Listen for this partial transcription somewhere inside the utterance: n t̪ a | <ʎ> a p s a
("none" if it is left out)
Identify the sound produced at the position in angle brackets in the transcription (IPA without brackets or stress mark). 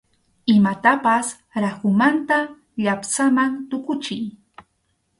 ʎ